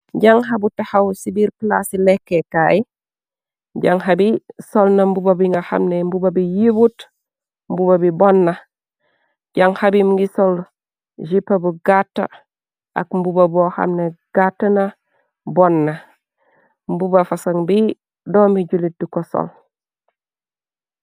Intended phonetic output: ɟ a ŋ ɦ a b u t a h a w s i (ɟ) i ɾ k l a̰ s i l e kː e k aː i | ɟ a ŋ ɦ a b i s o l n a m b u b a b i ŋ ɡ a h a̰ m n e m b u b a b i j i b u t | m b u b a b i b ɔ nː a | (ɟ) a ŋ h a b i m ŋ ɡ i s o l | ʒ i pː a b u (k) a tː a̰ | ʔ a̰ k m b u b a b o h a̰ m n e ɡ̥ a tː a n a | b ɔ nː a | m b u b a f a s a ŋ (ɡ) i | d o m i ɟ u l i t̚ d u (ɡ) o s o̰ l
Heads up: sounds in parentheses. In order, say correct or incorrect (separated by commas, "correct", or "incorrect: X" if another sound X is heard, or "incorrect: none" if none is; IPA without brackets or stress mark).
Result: incorrect: b, correct, incorrect: ɡ, incorrect: b, incorrect: k